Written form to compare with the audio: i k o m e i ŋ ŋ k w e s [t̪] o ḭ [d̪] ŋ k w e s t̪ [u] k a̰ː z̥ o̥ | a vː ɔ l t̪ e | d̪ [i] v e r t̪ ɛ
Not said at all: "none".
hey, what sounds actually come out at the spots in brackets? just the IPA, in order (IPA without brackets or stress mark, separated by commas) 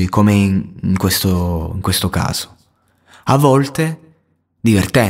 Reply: t̪, none, o, i